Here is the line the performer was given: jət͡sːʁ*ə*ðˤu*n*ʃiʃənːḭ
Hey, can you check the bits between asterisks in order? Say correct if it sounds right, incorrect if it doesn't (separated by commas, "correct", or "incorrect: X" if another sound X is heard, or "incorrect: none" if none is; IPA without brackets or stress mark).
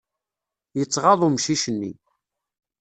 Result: incorrect: ɑ, incorrect: m